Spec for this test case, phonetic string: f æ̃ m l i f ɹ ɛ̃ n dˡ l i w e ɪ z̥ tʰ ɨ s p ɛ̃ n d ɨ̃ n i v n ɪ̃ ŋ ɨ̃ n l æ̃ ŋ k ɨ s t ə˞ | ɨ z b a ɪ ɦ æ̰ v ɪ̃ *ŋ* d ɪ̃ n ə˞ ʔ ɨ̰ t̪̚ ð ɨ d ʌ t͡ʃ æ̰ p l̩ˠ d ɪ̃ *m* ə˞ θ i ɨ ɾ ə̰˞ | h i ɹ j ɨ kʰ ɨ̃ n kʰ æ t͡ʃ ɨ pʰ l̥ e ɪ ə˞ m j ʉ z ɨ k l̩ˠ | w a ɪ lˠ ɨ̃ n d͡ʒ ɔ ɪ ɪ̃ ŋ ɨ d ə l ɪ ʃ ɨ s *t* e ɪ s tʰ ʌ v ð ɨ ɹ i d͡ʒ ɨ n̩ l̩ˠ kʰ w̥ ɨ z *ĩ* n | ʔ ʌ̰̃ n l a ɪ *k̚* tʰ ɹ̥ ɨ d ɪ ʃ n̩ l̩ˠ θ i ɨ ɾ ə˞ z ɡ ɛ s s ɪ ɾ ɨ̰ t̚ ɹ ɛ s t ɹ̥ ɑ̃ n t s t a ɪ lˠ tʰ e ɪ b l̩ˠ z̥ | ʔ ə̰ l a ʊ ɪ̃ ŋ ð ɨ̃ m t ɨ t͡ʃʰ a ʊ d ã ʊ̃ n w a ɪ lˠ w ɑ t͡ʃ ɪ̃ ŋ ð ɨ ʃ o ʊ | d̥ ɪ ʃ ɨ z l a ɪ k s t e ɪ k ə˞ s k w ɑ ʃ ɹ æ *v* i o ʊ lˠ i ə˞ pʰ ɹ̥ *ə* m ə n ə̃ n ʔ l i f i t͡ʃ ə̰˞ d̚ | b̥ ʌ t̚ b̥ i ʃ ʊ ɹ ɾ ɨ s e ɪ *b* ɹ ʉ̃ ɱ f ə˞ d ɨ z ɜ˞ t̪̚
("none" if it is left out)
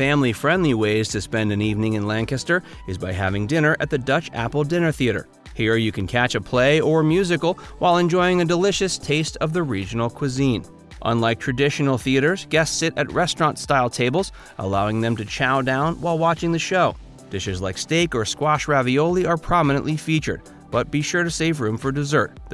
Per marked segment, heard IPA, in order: ŋ, n, tʰ, ĩ, k̚, v, ɑ, v

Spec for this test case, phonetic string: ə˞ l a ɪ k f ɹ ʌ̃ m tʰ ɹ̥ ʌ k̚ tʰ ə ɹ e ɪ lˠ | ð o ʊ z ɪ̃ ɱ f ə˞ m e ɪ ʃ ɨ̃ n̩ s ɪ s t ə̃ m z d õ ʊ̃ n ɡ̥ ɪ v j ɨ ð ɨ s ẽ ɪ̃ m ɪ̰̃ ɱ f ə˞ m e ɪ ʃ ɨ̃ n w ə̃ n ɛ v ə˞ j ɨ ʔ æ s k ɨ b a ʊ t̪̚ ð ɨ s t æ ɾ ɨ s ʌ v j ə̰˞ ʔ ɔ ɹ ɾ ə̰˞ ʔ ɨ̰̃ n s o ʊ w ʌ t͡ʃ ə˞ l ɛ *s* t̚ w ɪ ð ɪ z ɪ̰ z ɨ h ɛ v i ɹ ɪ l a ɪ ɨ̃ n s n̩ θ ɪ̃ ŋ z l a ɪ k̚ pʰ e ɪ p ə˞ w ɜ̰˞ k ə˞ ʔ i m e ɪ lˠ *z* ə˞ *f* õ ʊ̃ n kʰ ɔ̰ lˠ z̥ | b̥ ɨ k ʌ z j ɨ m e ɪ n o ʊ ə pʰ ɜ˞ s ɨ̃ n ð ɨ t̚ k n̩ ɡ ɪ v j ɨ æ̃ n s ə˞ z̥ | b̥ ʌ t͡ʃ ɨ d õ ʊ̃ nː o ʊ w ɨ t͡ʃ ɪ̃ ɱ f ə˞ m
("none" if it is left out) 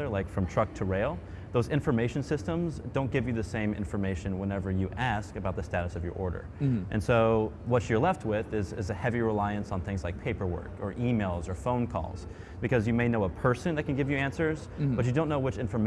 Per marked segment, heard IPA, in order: f, z, f

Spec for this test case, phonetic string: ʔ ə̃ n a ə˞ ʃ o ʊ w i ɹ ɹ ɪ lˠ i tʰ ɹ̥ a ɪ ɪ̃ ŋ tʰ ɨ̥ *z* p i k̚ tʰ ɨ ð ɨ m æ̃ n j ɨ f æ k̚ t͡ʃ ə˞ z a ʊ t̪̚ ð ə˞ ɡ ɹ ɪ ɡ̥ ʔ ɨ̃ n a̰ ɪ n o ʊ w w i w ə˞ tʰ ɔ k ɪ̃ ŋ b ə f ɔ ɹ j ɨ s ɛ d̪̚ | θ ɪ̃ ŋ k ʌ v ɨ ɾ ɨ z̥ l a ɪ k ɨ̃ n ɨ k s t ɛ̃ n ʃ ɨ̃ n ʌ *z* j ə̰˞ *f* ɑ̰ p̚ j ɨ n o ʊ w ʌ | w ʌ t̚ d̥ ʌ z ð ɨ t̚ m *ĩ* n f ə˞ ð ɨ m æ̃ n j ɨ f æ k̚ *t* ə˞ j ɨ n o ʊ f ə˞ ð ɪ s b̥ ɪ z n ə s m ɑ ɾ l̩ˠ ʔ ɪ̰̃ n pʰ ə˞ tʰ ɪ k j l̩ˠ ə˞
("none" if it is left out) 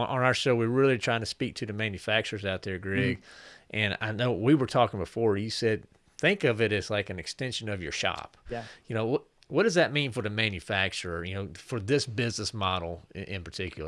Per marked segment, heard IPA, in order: s, v, ʃ, ĩ, t͡ʃ

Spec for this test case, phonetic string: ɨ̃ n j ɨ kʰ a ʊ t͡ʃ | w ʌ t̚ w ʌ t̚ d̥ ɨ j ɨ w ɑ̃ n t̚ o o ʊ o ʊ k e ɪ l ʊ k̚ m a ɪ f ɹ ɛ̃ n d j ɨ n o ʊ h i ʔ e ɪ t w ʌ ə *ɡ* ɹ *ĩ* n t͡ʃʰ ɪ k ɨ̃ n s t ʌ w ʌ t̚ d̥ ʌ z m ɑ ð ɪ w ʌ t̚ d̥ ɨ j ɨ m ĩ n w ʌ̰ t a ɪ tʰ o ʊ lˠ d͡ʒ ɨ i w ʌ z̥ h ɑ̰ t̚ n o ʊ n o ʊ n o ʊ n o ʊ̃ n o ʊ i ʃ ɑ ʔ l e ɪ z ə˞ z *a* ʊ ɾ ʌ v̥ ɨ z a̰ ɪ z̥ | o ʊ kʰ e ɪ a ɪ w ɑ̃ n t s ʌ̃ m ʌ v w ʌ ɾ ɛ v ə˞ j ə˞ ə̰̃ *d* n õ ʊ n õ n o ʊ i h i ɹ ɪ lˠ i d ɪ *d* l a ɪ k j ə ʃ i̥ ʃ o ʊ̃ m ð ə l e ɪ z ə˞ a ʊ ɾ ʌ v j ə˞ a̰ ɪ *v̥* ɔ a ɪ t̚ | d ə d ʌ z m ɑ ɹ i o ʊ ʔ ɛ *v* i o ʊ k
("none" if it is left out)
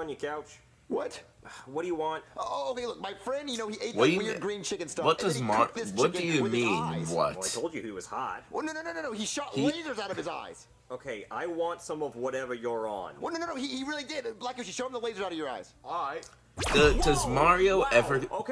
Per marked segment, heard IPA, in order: ɡ, ĩ, a, n, d, z̥, v

